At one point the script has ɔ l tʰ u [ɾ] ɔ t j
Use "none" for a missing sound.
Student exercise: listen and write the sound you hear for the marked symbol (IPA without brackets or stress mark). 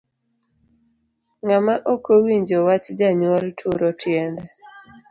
ɾ